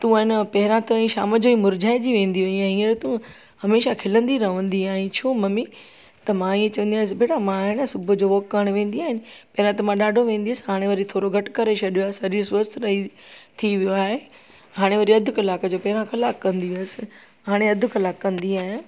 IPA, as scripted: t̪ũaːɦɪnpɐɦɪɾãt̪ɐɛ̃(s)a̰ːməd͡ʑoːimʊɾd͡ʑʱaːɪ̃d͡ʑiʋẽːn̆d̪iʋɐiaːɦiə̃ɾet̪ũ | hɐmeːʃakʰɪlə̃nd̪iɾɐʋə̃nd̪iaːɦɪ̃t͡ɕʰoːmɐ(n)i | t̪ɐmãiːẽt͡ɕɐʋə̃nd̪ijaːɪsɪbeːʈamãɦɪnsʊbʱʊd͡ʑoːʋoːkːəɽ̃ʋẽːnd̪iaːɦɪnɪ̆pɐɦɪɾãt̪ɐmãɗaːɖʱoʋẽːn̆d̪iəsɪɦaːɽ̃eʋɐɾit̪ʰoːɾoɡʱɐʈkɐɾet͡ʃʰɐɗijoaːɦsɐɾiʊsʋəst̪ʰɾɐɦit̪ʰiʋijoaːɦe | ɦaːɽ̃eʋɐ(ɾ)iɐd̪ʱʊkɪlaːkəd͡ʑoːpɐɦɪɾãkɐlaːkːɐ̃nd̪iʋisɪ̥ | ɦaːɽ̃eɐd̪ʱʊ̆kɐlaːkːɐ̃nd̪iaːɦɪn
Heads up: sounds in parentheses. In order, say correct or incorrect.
incorrect: ʃ, incorrect: m, correct

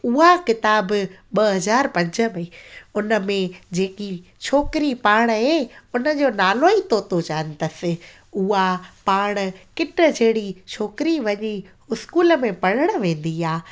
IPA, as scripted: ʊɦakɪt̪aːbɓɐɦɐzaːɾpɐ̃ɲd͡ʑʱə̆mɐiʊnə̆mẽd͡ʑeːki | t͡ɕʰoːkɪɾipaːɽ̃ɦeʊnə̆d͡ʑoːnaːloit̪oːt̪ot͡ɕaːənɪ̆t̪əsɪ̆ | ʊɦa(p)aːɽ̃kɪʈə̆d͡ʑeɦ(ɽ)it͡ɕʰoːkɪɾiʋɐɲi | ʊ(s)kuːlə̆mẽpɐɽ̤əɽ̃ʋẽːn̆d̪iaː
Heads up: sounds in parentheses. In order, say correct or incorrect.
correct, correct, correct

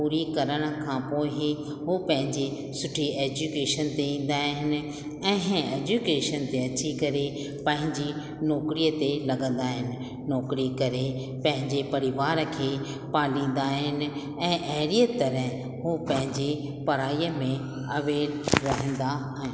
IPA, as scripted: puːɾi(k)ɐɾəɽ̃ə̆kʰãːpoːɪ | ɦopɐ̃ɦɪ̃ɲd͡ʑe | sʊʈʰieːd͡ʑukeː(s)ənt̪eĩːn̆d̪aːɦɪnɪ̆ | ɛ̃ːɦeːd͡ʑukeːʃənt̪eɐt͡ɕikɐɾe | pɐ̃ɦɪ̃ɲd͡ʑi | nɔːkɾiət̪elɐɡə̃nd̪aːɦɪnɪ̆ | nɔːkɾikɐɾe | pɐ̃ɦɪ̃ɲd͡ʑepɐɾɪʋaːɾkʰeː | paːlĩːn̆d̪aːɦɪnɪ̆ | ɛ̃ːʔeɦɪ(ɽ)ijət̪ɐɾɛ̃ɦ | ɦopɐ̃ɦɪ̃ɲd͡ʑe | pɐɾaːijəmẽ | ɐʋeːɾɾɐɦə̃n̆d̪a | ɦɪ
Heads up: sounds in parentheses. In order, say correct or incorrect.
correct, incorrect: ʃ, incorrect: ɾ

